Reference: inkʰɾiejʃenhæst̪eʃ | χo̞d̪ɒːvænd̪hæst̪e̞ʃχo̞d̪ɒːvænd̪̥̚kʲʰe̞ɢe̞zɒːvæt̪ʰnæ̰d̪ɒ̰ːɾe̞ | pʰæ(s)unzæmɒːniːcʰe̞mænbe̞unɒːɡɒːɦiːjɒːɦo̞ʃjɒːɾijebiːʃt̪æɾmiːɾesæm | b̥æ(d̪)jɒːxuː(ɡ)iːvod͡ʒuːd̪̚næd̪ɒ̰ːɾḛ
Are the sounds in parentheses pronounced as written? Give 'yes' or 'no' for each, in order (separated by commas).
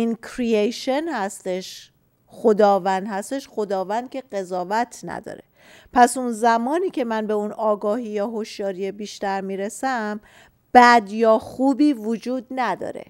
yes, yes, no